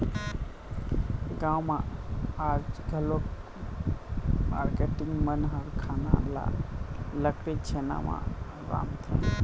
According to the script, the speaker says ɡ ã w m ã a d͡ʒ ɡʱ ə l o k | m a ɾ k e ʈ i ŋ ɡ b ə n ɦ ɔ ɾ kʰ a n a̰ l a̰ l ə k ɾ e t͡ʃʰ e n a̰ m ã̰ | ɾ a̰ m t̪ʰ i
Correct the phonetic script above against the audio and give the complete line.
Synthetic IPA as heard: ɡ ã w m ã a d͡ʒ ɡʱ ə l o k | m a ɾ k e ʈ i ŋ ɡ m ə n ɦ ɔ ɾ kʰ a n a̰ l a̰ l ə k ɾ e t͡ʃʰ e n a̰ m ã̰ | ɾ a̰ m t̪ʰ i